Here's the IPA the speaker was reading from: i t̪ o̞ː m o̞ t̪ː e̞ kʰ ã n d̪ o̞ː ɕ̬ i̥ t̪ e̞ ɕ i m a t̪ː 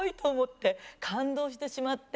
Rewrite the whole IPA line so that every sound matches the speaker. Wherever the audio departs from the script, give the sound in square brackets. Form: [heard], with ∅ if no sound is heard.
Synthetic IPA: i t̪ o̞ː m o̞ t̪ː e̞ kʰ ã n d̪ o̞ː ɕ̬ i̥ t̪ e̞ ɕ i m a t̪ː